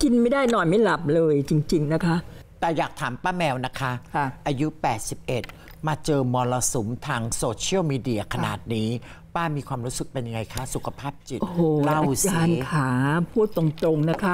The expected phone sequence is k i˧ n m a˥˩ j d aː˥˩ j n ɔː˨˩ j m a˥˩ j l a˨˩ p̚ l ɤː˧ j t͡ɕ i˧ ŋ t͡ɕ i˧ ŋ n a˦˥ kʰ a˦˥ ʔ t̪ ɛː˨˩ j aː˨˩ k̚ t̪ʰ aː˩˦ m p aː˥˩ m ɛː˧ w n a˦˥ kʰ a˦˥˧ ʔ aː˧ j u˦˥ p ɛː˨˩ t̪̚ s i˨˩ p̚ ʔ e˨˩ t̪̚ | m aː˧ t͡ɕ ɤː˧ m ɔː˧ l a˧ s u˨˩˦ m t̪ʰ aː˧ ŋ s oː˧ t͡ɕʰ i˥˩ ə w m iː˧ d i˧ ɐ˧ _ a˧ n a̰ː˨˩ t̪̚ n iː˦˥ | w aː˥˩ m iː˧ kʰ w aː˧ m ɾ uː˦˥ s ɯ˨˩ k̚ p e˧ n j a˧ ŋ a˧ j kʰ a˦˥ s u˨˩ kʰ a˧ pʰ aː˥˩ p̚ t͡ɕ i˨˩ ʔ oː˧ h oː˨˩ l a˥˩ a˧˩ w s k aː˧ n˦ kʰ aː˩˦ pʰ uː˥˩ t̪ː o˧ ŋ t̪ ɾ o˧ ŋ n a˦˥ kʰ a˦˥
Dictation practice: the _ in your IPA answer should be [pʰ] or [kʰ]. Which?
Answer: kʰ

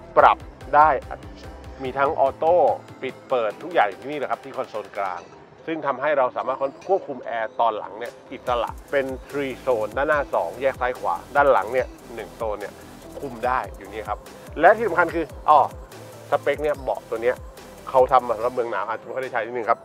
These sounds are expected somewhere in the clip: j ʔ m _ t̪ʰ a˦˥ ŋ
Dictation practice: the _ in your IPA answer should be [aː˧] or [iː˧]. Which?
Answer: iː˧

